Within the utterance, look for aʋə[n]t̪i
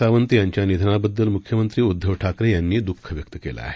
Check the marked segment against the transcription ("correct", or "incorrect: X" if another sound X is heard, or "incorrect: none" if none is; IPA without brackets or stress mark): correct